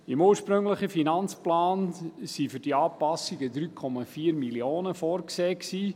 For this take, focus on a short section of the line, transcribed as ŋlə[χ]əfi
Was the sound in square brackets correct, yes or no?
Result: yes